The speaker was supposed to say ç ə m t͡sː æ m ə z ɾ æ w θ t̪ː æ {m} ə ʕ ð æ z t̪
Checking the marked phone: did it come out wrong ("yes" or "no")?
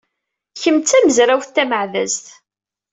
no